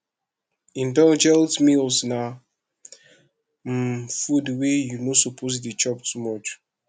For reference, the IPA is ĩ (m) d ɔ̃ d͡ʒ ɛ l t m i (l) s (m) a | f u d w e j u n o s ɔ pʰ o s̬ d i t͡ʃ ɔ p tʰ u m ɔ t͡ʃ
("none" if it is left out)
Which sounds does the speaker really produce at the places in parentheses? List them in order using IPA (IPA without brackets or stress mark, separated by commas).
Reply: n, l, n